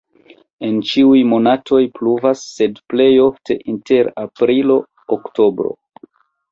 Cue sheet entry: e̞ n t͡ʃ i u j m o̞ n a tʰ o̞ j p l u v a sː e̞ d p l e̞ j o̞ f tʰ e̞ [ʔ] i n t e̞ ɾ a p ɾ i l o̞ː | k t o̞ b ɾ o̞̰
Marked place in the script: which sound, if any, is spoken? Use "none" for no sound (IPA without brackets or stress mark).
ʔ